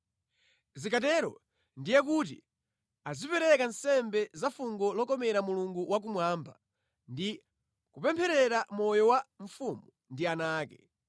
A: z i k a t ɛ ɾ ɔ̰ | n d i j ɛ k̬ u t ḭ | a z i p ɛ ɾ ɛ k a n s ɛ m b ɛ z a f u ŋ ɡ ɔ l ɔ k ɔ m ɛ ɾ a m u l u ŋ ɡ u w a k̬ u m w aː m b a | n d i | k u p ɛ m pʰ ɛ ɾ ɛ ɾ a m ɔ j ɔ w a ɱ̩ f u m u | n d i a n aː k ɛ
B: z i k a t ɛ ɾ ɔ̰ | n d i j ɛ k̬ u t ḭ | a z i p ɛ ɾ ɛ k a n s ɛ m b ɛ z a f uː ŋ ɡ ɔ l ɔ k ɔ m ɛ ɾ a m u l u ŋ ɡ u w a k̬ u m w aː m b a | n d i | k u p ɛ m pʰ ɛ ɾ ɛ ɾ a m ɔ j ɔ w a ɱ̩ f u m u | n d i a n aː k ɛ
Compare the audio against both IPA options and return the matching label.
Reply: A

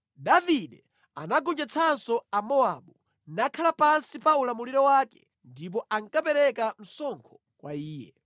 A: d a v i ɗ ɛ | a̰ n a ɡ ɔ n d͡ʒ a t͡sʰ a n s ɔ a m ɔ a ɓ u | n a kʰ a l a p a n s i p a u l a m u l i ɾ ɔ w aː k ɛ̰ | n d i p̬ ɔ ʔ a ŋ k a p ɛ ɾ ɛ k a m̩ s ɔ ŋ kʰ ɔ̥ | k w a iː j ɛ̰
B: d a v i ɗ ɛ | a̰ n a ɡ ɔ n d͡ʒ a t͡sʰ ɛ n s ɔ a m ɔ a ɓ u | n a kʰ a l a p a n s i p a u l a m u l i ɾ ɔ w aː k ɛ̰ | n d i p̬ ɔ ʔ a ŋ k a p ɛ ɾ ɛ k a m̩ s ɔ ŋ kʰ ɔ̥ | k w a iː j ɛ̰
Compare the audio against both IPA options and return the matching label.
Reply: A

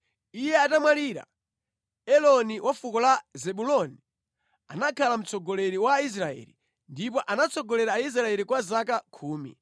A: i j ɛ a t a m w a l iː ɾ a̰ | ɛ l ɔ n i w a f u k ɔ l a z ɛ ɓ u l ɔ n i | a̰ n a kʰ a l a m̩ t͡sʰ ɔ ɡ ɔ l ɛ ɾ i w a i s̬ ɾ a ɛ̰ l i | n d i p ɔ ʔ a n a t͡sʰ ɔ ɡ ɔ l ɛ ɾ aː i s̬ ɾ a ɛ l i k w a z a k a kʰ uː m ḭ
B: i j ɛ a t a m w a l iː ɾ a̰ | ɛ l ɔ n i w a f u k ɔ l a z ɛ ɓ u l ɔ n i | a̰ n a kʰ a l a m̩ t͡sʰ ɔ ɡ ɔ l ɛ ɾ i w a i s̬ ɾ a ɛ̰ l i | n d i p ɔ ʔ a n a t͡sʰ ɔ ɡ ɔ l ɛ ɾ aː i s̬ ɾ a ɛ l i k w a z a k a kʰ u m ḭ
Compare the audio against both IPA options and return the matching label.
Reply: A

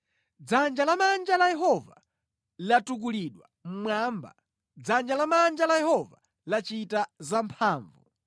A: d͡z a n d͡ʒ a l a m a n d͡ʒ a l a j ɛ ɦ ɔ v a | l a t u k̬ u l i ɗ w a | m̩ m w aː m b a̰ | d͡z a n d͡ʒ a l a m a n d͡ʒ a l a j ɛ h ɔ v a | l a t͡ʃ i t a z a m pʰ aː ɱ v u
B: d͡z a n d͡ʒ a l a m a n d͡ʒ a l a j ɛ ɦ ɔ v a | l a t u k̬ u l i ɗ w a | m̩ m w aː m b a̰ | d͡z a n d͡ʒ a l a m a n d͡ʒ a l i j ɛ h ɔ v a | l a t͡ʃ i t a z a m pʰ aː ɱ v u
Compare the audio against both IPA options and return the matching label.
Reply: A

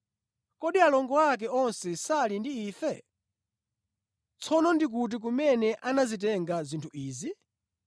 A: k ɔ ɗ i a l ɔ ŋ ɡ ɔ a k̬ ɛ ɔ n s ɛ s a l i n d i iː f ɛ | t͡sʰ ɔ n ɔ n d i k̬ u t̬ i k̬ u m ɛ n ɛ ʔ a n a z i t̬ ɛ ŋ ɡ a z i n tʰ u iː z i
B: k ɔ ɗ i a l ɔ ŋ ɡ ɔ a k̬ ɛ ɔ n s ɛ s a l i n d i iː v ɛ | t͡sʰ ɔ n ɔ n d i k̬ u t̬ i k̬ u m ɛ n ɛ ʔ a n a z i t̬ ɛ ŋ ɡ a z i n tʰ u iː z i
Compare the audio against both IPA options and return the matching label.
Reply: A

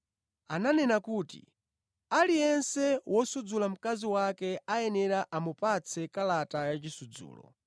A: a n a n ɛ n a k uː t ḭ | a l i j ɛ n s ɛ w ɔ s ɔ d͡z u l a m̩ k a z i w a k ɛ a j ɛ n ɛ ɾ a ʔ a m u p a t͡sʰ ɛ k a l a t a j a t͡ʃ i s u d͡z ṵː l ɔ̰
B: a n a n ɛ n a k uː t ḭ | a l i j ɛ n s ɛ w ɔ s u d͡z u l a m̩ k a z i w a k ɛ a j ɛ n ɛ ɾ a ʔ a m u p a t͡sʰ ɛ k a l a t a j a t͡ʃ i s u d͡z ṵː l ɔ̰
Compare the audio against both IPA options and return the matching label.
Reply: B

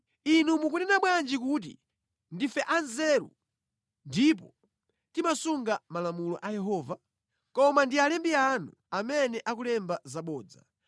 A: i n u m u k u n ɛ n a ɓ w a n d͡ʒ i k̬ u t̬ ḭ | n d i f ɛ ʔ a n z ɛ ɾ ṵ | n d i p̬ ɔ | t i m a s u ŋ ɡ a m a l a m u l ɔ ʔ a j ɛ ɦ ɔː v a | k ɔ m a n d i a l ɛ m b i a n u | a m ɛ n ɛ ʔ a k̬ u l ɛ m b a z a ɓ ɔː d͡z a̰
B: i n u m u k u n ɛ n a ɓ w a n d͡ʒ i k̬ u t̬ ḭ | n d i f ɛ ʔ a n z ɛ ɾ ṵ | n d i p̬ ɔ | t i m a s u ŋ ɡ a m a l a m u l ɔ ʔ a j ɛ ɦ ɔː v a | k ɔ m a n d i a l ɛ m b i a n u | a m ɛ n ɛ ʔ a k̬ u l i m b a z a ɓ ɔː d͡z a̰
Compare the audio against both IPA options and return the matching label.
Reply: A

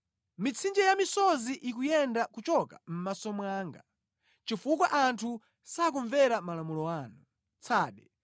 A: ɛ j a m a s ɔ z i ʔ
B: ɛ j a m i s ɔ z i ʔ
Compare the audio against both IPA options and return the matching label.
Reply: B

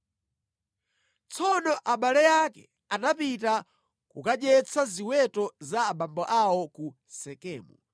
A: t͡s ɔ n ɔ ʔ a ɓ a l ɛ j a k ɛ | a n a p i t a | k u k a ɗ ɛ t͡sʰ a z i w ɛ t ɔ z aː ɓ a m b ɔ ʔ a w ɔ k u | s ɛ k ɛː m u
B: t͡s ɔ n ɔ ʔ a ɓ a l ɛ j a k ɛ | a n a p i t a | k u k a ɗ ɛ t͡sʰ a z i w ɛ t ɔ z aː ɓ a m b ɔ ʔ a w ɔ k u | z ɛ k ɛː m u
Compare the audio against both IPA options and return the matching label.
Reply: A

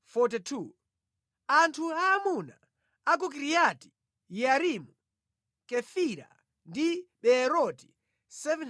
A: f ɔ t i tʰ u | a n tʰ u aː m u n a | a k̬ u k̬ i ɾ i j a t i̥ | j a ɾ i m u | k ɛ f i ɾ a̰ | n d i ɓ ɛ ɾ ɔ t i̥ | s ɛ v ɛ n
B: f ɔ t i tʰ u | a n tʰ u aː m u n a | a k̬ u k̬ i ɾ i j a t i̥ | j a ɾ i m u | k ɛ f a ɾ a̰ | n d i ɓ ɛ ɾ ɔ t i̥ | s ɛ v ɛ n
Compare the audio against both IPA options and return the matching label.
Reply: A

